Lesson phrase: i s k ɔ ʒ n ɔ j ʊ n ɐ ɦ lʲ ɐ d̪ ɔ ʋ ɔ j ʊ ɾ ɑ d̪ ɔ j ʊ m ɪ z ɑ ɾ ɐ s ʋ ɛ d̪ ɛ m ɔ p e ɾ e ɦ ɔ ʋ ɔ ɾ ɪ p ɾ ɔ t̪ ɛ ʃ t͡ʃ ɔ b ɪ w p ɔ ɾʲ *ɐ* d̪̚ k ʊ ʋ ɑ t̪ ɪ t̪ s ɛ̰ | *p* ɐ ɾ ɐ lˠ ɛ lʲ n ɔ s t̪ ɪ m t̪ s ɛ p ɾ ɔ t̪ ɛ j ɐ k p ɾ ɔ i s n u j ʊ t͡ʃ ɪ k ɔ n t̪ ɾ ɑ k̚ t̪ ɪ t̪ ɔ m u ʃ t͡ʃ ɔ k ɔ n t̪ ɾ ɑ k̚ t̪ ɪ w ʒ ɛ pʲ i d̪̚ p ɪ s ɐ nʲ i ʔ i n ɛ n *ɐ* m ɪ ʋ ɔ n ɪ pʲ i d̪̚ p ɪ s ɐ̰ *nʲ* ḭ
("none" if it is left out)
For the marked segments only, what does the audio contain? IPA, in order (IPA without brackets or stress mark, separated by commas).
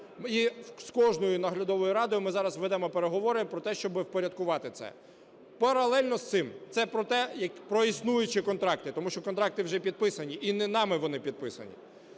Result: ɐ, p, ɑ, nʲ